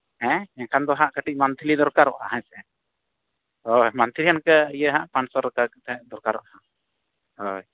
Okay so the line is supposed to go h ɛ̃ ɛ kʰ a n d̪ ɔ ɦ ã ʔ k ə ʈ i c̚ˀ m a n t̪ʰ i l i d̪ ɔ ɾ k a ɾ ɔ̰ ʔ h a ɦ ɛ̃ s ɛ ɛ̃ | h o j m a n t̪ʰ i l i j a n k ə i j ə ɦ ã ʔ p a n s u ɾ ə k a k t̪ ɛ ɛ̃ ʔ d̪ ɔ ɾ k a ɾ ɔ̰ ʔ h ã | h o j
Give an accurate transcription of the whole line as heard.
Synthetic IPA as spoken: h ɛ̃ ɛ kʰ a n d̪ ɔ ɦ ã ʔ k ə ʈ i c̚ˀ m a n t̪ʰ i l i d̪ ɔ ɾ k a ɾ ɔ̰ ʔ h a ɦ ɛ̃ s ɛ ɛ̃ | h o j m a n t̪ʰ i l i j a n k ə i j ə ɦ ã ʔ p a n s ɔ ɾ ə k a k t̪ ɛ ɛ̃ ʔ d̪ ɔ ɾ k a ɾ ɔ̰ ʔ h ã | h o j